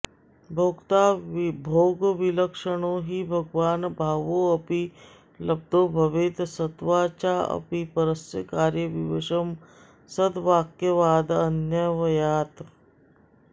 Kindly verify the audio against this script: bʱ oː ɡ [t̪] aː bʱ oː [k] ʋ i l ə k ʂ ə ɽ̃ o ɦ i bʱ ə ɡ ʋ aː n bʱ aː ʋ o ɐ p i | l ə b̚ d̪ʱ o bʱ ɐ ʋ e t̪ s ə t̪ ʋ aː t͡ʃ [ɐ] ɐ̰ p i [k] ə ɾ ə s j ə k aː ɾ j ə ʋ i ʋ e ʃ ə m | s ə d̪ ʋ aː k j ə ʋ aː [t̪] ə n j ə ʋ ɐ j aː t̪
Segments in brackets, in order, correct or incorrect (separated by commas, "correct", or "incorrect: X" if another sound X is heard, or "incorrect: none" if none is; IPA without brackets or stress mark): correct, incorrect: ɡ, incorrect: a, incorrect: p, incorrect: d̪